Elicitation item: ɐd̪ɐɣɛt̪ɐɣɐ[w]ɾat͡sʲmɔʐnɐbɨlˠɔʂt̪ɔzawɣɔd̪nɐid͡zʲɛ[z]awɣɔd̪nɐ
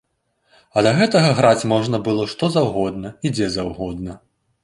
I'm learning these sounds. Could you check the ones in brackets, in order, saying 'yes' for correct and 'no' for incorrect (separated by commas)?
no, yes